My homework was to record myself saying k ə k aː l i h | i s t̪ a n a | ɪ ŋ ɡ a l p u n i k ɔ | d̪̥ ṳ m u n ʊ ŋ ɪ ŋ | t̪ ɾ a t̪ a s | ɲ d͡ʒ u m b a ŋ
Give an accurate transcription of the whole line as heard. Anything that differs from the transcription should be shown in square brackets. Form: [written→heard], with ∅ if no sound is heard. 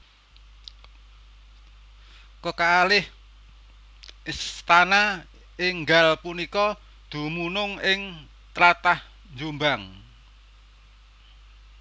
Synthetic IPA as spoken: k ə k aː l [i→ɪ] h | i s t̪ a n a | ɪ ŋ ɡ a l p u n i k ɔ | d̪̥ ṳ m u n ʊ ŋ ɪ ŋ | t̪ ɾ a t̪ a [s→h] | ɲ d͡ʒ u m b a ŋ